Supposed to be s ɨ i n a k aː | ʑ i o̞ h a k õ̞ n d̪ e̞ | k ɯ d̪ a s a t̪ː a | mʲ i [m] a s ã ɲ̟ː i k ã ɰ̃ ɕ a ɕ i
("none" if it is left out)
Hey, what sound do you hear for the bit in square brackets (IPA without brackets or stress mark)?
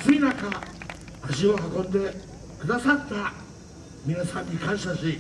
n